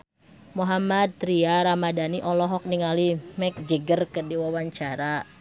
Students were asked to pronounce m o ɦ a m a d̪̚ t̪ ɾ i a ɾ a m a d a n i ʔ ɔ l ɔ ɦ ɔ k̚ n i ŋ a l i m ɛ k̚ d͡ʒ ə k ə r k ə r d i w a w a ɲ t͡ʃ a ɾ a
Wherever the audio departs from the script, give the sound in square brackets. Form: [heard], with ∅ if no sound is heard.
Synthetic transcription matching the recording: m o ɦ a m a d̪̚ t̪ ɾ i a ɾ a m a d a n i ʔ ɔ l ɔ ɦ ɔ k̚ n i ŋ a l i m ɛ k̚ d͡ʒ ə [ɡ] ə r k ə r d i w a w a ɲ t͡ʃ a ɾ a

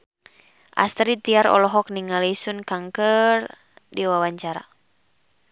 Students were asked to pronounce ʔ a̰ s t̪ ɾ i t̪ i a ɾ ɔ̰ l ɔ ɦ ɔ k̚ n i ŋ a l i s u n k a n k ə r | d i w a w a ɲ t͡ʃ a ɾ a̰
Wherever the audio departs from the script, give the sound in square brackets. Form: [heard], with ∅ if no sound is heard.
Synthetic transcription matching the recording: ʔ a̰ s t̪ ɾ i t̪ i a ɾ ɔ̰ l ɔ ɦ ɔ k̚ n i ŋ a l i s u n k a [ŋ] k ə r | d i w a w a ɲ t͡ʃ a ɾ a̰

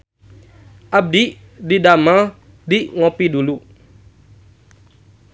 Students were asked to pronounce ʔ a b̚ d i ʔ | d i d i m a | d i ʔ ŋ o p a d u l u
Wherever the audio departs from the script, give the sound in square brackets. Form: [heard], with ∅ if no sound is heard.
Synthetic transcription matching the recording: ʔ a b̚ d i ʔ | d i d [a] m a | d i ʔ ŋ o p [i] d u l u

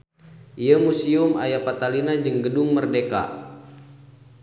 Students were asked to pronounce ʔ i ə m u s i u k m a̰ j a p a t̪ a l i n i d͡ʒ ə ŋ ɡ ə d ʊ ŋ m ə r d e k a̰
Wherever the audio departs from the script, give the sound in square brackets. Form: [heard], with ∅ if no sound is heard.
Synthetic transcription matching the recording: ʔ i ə m u s i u [∅] m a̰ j a p a t̪ a l i n [a] d͡ʒ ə ŋ ɡ ə d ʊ ŋ m ə r d e k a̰

